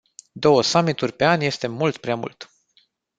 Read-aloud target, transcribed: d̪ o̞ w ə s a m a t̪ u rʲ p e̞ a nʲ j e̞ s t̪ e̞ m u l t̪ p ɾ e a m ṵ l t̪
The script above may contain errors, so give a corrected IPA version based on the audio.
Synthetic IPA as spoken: d̪ o̞ w ə s a m i t̪ u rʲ p e̞ a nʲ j e̞ s t̪ e̞ m u l t̪ p ɾ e a m ṵ l t̪